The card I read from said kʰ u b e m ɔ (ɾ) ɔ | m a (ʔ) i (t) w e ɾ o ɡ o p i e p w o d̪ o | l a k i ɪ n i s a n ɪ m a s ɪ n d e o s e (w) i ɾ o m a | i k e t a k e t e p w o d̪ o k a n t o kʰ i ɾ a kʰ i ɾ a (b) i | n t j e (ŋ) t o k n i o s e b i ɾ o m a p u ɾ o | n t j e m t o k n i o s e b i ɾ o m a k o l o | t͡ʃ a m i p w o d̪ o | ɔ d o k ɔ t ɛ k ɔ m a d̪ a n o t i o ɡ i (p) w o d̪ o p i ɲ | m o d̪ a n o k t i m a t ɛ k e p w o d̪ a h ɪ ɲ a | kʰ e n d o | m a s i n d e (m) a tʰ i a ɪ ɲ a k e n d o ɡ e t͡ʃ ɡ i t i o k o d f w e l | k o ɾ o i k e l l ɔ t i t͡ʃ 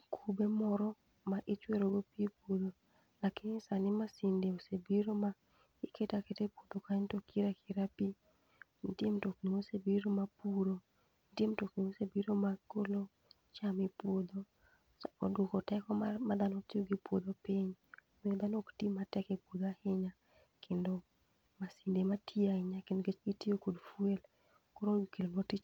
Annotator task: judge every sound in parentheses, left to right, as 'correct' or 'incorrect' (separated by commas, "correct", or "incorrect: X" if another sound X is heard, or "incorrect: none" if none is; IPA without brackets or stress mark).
correct, correct, incorrect: t͡ʃ, incorrect: b, incorrect: p, incorrect: m, correct, correct